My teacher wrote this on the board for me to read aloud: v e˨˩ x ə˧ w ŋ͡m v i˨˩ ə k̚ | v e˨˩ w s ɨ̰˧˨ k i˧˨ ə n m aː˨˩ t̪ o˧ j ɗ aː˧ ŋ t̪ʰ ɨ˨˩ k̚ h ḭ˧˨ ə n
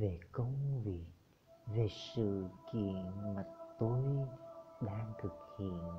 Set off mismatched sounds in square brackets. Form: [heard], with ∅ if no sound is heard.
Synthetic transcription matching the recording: v e˨˩ [k] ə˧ w ŋ͡m v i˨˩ ə k̚ | v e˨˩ [∅] s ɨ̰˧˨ k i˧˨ ə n m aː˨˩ t̪ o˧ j ɗ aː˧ ŋ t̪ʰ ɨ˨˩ k̚ h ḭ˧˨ ə n